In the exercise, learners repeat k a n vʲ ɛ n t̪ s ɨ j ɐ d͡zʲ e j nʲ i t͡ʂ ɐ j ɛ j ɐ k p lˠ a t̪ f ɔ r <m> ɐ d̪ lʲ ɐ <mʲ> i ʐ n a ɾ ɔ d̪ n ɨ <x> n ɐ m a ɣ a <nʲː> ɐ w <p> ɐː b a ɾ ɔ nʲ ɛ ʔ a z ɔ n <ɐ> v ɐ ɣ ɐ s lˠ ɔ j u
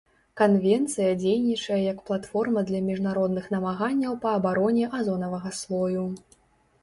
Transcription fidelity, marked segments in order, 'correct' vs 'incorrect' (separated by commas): correct, correct, correct, correct, correct, correct